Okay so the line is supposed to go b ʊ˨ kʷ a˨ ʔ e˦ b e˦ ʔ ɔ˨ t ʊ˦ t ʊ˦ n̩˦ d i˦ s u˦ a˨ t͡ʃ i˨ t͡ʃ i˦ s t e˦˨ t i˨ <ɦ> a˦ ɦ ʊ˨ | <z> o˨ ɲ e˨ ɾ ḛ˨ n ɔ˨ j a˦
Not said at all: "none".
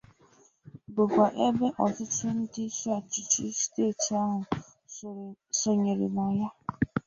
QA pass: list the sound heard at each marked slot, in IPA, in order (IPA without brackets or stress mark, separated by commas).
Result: none, s